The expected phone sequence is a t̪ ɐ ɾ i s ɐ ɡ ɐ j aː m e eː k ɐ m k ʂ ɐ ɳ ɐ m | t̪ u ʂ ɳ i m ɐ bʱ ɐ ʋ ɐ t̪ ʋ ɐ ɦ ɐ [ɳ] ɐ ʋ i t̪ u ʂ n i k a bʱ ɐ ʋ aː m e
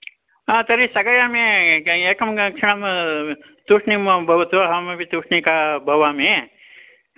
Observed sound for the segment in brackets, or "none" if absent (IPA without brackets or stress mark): m